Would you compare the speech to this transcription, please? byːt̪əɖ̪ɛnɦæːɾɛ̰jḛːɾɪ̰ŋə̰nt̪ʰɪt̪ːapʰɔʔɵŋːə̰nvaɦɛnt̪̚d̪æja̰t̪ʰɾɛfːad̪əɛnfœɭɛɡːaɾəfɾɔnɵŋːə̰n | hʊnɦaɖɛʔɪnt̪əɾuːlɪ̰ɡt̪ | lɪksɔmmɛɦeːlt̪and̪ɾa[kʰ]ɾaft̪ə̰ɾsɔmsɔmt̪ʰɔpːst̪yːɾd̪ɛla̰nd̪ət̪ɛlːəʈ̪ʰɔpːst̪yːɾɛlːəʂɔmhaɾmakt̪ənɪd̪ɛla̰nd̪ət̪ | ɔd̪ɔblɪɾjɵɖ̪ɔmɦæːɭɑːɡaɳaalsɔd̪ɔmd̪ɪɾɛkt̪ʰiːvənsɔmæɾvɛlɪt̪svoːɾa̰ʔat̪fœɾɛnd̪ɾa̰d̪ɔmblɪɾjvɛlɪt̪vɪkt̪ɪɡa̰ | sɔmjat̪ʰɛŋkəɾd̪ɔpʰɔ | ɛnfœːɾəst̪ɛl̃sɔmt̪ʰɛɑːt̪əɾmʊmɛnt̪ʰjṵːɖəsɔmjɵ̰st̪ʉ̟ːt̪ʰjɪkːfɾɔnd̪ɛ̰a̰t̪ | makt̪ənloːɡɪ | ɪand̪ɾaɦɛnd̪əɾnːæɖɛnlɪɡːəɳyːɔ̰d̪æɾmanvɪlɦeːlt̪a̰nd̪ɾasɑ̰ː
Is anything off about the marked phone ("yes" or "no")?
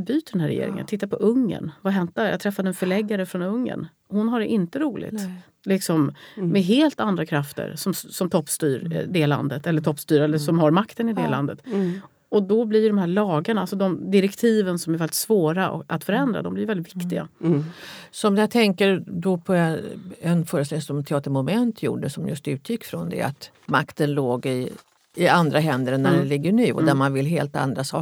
no